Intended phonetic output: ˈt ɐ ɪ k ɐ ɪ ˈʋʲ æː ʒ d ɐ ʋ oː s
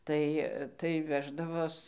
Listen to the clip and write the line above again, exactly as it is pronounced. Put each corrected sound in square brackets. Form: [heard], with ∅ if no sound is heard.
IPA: ˈt ɐ ɪ [t] ɐ ɪ ˈʋʲ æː ʒ d ɐ ʋ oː s

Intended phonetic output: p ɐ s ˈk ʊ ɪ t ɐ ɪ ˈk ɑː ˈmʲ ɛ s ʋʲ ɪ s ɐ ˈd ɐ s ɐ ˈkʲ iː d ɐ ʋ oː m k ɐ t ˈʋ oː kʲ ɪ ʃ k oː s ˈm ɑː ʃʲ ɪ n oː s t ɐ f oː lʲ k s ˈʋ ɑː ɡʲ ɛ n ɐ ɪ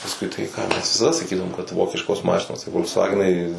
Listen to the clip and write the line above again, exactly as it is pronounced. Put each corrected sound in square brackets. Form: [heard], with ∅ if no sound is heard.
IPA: p ɐ s ˈk ʊ ɪ t ɐ ɪ ˈk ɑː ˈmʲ ɛ s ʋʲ ɪ s ɐ ˈd ɐ s ɐ ˈkʲ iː d ɐ ʋ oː m k ɐ t ˈʋ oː kʲ ɪ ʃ k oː s ˈm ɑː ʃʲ ɪ n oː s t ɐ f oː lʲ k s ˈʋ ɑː ɡʲ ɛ n ɐ ɪ

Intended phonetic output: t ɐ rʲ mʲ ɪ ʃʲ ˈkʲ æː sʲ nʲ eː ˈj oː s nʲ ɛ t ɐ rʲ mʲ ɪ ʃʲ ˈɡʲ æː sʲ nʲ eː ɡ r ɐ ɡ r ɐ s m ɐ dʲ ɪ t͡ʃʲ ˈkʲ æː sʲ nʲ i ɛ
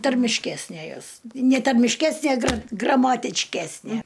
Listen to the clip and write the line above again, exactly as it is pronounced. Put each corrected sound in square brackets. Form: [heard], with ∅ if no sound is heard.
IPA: t ɐ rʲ mʲ ɪ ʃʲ ˈkʲ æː sʲ nʲ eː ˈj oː s nʲ ɛ t ɐ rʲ mʲ ɪ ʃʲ [ˈkʲ] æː sʲ nʲ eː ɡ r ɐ ɡ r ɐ [∅] m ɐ [tʲ] ɪ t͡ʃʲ ˈkʲ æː sʲ nʲ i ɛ

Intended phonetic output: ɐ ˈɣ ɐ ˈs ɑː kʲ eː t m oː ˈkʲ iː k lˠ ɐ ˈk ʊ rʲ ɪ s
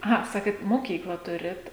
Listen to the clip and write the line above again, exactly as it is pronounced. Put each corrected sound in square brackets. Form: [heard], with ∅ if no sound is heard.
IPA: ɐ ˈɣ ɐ ˈs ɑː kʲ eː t m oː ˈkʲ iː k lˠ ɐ [ˈt] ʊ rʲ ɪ [t]

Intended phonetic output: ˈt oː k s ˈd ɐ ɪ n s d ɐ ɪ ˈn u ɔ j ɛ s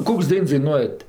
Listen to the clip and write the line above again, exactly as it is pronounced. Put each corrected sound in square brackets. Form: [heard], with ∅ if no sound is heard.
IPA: [ˈk] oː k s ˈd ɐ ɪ n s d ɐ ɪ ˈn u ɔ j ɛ [t]

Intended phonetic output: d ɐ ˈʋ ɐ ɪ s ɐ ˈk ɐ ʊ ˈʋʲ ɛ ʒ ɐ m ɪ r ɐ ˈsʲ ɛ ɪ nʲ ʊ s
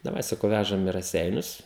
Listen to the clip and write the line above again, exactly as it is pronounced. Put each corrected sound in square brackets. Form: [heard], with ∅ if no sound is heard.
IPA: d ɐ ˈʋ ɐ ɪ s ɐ ˈk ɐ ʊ ˈʋʲ [æ] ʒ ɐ m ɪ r ɐ ˈsʲ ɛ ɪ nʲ ʊ s

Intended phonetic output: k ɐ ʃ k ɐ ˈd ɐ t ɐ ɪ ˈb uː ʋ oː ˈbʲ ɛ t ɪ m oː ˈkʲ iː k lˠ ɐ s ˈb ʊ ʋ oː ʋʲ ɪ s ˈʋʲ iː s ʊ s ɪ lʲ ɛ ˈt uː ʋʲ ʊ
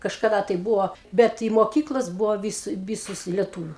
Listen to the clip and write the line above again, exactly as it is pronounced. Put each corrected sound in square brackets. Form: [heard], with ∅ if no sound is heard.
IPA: k ɐ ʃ k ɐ ˈd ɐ t ɐ ɪ ˈb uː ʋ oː ˈbʲ ɛ t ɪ m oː ˈkʲ iː k lˠ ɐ s ˈb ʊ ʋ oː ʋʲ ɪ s ˈʋʲ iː s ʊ s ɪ lʲ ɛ ˈt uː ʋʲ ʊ

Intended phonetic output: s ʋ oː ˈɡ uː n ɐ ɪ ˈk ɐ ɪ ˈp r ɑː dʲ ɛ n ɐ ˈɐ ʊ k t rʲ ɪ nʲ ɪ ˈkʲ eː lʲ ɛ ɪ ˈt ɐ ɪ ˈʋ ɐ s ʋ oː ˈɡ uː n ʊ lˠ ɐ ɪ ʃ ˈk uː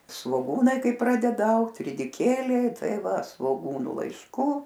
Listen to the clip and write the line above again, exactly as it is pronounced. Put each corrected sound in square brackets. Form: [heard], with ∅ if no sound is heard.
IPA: s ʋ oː ˈɡ uː n ɐ ɪ ˈk ɐ ɪ ˈp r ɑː dʲ ɛ [d] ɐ ˈɐ ʊ k t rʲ ɪ [dʲ] ɪ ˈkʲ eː lʲ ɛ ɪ ˈt ɐ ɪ ˈʋ ɐ s ʋ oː ˈɡ uː n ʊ lˠ ɐ ɪ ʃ ˈk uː

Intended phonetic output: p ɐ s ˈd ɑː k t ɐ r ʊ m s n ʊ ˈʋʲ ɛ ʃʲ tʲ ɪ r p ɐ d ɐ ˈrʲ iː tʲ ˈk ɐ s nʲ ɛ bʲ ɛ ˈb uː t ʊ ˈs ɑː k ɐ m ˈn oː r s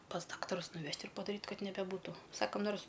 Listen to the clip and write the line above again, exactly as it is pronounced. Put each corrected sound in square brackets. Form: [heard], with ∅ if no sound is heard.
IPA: p ɐ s ˈd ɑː k t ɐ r ʊ [∅] s n ʊ ˈʋʲ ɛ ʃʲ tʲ ɪ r p ɐ d ɐ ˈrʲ iː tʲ ˈk ɐ [t] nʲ ɛ bʲ ɛ ˈb uː t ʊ ˈs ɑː k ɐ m ˈn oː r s

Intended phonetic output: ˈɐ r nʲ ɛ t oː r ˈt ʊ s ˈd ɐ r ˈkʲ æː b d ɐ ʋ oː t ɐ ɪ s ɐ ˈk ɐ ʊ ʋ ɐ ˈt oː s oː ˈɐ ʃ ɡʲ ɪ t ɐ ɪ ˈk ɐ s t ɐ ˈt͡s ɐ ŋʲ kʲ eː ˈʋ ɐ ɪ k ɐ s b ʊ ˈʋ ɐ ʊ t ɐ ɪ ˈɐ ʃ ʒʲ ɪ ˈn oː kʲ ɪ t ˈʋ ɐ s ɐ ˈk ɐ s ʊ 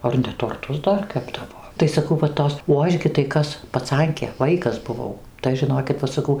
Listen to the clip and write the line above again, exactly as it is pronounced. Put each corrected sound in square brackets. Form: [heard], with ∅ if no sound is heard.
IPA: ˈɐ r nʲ ɛ t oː r ˈt ʊ s ˈd ɐ r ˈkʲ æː b d ɐ ʋ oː t ɐ ɪ s ɐ ˈk ɐ ʊ ʋ ɐ ˈt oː s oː ˈɐ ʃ ɡʲ ɪ t ɐ ɪ ˈk ɐ s [p] ɐ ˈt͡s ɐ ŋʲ kʲ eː ˈʋ ɐ ɪ k ɐ s b ʊ ˈʋ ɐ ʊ t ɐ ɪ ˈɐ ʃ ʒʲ ɪ ˈn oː kʲ ɪ t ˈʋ ɐ s ɐ ˈk ɐ [∅] ʊ

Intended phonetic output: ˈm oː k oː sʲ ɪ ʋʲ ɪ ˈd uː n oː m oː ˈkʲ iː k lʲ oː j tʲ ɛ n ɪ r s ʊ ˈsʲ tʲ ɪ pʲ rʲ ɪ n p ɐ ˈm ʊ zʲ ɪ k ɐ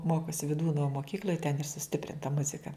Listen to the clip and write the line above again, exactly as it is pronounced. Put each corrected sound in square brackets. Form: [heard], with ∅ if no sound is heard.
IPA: ˈm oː k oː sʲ ɪ ʋʲ ɪ ˈd uː n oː m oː ˈkʲ iː k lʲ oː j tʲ ɛ n ɪ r s ʊ ˈsʲ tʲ ɪ pʲ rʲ ɪ n [t] ɐ ˈm ʊ zʲ ɪ k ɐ

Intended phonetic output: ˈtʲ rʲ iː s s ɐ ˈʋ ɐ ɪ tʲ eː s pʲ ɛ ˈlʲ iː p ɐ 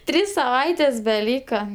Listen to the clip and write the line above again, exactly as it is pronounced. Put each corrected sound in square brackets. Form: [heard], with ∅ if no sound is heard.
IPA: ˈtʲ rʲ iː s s ɐ ˈʋ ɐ ɪ tʲ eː s [bʲ] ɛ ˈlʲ iː [k] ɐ

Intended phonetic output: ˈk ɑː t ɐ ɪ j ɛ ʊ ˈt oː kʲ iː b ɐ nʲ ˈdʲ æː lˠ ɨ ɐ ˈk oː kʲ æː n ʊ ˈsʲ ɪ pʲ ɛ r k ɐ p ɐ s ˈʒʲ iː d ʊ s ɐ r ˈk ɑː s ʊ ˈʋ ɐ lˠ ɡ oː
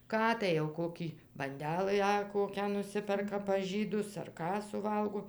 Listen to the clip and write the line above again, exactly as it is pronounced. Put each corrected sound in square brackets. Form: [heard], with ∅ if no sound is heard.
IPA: ˈk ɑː t ɐ ɪ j ɛ ʊ [ˈk] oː kʲ iː b ɐ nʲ ˈdʲ æː lˠ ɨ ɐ ˈk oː kʲ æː n ʊ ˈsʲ ɪ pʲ ɛ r k ɐ p ɐ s ˈʒʲ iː d ʊ s ɐ r ˈk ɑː s ʊ ˈʋ ɐ lˠ ɡ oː

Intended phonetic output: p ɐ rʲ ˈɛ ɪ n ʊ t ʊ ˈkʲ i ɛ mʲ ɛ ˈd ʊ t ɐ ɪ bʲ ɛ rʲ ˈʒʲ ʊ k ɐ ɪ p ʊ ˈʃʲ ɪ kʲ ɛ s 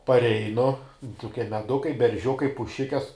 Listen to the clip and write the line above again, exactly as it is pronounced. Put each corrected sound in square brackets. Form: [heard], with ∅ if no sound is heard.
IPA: p ɐ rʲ ˈɛ ɪ n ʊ t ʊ ˈkʲ i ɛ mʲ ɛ ˈd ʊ [k] ɐ ɪ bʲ ɛ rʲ ˈʒʲ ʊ k ɐ ɪ p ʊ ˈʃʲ ɪ kʲ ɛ s

